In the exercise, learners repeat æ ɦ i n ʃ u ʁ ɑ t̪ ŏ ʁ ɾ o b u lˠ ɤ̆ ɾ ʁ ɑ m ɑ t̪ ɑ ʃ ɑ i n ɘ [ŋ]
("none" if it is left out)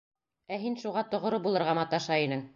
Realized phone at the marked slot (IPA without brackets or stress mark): ŋ